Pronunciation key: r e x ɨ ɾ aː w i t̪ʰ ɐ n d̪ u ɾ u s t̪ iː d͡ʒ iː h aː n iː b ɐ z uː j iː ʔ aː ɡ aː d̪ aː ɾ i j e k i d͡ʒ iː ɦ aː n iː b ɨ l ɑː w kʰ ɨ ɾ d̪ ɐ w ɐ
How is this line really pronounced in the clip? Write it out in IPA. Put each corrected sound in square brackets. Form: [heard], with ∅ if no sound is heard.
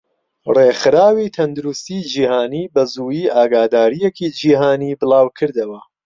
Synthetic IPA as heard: r e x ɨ ɾ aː w i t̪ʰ ɐ n d̪ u ɾ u s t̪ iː d͡ʒ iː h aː n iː b ɐ z uː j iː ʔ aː ɡ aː d̪ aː ɾ i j e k i d͡ʒ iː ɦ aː n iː b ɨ l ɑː w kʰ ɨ ɾ d̪ ɐ w ɐ